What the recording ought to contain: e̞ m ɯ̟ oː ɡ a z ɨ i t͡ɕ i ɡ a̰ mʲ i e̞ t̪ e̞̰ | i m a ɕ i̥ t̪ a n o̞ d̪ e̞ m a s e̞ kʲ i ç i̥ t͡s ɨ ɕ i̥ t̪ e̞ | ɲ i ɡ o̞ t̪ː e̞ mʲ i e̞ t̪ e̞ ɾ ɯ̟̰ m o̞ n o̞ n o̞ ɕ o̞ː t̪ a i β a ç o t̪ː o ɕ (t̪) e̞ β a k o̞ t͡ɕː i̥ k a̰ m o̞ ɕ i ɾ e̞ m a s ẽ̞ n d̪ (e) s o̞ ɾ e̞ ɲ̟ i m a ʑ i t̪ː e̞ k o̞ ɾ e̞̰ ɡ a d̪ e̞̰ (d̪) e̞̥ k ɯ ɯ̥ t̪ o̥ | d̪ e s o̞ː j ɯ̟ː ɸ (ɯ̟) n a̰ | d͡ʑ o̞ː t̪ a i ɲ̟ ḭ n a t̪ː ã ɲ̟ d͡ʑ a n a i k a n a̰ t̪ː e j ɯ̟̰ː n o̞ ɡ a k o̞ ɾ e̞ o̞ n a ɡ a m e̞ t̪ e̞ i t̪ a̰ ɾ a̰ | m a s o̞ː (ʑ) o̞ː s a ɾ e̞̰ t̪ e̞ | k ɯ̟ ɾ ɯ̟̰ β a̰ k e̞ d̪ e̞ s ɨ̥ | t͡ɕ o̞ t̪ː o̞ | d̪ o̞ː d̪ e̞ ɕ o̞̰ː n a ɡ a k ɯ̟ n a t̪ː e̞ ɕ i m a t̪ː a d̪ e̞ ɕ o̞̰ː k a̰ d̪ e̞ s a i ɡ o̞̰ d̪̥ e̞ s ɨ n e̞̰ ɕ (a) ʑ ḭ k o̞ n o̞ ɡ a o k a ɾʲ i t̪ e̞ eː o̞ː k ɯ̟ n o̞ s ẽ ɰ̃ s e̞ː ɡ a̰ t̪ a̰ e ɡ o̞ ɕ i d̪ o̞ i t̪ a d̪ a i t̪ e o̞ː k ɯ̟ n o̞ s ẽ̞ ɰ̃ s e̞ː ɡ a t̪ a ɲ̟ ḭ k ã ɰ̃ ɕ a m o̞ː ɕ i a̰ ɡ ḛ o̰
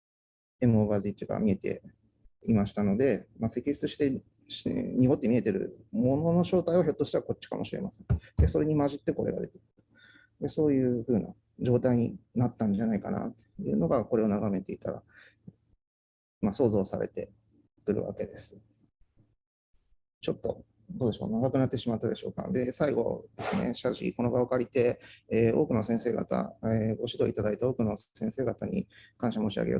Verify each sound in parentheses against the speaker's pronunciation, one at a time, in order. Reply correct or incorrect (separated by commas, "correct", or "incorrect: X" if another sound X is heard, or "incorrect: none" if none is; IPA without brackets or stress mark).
correct, correct, incorrect: t̪, incorrect: ɯ̟ː, incorrect: z, correct